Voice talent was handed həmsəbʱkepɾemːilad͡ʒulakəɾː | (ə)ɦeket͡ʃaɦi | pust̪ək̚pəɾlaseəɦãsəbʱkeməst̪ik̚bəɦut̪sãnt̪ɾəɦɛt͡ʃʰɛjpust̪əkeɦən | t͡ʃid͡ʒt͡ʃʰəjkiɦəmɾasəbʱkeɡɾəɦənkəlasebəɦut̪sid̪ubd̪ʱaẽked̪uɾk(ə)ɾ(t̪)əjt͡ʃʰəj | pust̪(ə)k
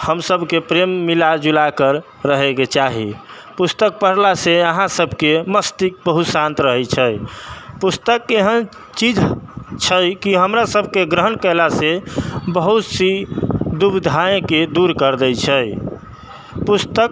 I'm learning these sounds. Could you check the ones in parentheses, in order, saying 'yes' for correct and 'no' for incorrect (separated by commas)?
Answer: yes, yes, no, yes